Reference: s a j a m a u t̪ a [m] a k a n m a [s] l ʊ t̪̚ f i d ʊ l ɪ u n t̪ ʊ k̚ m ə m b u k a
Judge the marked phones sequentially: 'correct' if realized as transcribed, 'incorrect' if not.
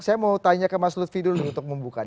incorrect: ɲ, correct

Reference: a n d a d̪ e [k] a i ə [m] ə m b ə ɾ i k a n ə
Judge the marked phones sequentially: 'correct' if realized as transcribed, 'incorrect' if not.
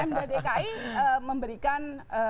correct, correct

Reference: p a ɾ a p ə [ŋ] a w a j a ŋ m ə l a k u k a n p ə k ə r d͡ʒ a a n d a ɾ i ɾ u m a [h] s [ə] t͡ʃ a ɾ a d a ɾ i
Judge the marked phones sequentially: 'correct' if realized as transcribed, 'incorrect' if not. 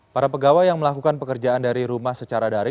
incorrect: ɡ, correct, correct

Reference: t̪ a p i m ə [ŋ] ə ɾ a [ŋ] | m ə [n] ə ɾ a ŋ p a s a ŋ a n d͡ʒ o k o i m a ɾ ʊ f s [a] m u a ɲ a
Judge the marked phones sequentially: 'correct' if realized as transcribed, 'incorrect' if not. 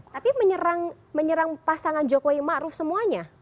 incorrect: ɲ, correct, incorrect: ɲ, incorrect: ə

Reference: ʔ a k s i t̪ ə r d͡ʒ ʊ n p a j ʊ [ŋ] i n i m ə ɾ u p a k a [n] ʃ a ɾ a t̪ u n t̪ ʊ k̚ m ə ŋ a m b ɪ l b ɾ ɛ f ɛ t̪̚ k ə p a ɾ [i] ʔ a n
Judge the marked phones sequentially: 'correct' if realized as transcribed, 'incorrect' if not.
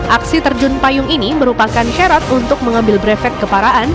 correct, correct, incorrect: a

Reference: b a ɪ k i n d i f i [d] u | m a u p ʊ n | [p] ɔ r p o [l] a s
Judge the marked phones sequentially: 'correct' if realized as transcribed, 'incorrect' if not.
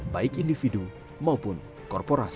correct, incorrect: k, incorrect: ɾ

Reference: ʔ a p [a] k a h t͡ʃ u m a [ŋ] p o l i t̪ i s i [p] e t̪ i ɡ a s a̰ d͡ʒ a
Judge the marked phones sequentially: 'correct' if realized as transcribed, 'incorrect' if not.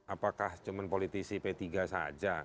correct, incorrect: n, correct

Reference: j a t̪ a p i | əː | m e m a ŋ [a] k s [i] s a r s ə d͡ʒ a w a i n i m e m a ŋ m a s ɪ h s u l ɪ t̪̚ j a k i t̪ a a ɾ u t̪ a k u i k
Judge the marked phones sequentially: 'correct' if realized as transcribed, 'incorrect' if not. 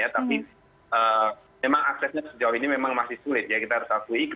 correct, incorrect: ɛ

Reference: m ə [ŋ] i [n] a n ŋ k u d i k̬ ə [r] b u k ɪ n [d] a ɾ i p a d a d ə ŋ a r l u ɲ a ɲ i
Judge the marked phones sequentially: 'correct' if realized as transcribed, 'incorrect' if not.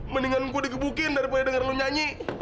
incorrect: n, incorrect: ŋ, incorrect: none, correct

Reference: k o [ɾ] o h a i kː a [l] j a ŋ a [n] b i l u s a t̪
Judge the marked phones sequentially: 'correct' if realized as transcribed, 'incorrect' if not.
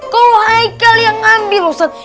incorrect: l, correct, incorrect: m

